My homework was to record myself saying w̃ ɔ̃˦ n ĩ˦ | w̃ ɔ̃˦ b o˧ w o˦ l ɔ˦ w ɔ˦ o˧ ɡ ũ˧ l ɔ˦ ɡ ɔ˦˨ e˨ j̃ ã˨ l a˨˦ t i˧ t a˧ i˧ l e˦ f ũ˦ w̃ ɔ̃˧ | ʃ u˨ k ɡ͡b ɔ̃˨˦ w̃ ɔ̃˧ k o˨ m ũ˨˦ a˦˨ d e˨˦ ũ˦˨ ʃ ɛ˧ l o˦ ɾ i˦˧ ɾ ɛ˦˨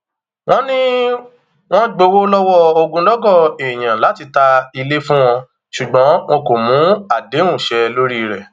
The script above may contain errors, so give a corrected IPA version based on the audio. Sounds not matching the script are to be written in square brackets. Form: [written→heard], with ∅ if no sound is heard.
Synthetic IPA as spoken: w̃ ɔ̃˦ n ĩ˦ | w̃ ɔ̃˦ [b→ɡ͡b] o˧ w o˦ l ɔ˦ w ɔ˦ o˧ ɡ ũ˧ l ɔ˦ ɡ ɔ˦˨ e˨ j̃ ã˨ l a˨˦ t i˧ t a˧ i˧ l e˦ f ũ˦ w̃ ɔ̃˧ | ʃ u˨ [k→∅] ɡ͡b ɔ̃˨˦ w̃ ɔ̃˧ k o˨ m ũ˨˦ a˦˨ d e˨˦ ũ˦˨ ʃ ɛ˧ l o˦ ɾ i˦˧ ɾ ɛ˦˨